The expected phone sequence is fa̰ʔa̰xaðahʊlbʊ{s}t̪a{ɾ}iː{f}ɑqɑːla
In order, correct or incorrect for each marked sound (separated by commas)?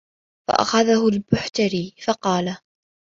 incorrect, correct, correct